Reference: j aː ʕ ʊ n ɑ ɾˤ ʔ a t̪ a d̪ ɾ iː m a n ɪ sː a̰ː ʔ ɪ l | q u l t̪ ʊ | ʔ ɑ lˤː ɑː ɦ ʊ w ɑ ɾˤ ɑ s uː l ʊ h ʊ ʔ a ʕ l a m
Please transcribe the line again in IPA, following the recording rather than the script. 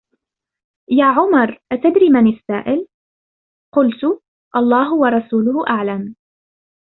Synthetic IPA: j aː ʕ ʊ m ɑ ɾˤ ʔ a t̪ a d̪ ɾ iː m a n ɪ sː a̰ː ʔ ɪ l | q ʊ l t̪ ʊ | ʔ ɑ lˤː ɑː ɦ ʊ w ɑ ɾˤ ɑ s uː l ʊ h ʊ ʔ a ʕ l a m